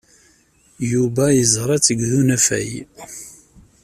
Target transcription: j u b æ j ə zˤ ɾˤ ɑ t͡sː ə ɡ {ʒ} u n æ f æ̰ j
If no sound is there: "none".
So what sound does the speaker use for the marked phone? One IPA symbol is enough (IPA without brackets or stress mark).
ð